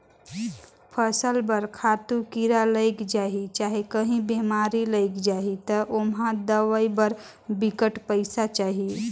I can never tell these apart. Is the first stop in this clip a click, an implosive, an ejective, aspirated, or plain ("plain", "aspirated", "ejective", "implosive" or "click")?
aspirated